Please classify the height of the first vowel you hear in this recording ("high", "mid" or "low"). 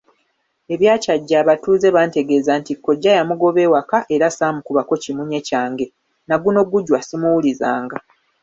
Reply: mid